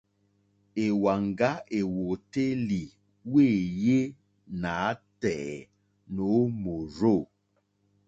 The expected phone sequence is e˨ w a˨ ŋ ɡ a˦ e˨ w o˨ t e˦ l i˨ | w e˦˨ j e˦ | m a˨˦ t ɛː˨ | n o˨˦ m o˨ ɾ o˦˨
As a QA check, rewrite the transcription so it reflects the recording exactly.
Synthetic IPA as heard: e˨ w a˨ ŋ ɡ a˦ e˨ w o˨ t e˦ l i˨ | w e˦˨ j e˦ | n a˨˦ t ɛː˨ | n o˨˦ m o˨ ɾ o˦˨